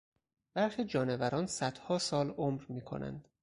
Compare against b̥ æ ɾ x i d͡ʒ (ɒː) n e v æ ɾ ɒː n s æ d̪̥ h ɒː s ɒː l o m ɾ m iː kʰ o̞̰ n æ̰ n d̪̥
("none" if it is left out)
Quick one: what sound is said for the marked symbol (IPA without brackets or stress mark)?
ɒː